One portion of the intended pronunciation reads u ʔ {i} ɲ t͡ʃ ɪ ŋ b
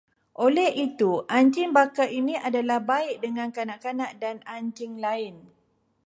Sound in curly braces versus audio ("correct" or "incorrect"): incorrect